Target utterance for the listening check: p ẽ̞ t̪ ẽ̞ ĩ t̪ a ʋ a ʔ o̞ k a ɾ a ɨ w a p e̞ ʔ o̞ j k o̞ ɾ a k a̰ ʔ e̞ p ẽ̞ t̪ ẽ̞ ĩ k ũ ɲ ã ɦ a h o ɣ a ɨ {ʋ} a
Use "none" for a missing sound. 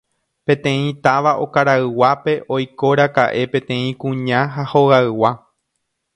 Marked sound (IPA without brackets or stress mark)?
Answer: w